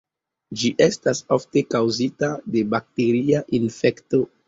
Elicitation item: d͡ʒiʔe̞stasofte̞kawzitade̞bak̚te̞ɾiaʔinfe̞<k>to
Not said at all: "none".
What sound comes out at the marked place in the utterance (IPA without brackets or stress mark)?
k